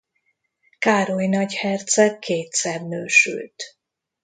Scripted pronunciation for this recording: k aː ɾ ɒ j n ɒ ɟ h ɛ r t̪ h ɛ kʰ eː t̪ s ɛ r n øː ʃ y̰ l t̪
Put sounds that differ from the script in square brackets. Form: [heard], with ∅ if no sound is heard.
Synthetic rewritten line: k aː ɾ [o] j n ɒ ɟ h ɛ r t̪ [s] ɛ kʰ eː t̪ s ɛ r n øː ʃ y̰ l t̪